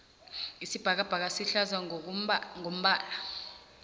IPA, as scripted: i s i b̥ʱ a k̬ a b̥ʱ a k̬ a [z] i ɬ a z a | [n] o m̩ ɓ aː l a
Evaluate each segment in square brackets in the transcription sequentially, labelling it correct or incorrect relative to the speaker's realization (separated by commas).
incorrect, incorrect